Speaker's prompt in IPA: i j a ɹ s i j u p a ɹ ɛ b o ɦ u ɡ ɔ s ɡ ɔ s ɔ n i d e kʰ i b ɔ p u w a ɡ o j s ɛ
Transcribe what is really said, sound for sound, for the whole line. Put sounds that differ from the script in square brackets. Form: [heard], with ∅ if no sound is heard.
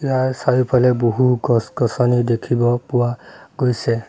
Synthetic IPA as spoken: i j a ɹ s [a] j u p a [l] ɛ b o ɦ u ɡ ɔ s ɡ ɔ s ɔ n i d e kʰ i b ɔ p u w a ɡ o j s ɛ